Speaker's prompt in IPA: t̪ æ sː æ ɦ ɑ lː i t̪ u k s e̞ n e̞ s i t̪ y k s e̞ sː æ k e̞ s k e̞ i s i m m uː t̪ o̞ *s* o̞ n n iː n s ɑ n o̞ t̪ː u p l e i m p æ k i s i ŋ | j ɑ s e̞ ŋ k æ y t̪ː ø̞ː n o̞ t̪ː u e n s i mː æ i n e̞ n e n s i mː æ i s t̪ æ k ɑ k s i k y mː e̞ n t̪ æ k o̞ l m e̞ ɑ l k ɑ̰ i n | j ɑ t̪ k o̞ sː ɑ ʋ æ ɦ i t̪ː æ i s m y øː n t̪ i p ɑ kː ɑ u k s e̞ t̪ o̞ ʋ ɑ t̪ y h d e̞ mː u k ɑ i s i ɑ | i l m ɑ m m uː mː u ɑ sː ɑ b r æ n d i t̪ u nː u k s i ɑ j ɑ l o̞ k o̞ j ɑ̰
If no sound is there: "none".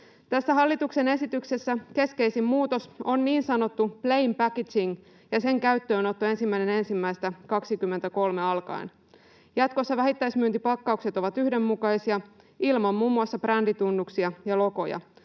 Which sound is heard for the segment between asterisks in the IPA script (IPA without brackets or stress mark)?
s